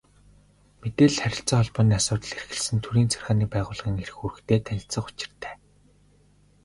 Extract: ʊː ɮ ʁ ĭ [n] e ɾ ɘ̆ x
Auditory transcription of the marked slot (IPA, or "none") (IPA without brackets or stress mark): ŋ